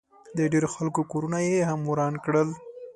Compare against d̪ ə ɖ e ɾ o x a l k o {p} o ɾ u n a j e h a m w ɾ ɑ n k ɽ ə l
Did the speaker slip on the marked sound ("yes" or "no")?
yes